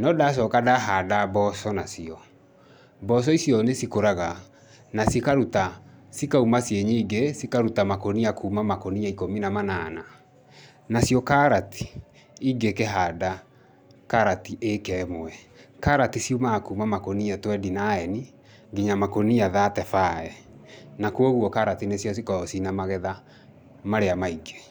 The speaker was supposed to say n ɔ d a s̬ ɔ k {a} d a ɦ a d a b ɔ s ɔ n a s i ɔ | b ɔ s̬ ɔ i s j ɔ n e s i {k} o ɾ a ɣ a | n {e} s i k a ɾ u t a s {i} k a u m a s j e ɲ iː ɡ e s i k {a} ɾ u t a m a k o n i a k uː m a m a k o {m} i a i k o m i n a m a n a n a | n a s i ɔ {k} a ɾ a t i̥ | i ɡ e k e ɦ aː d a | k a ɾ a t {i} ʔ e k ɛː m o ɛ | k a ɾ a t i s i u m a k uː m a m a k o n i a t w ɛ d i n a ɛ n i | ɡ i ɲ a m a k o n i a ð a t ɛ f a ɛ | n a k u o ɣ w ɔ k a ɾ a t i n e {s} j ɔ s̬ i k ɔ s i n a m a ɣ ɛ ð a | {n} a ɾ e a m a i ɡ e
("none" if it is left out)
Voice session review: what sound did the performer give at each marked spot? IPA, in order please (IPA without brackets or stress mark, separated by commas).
a, k, a, i, a, n, k, i, s, m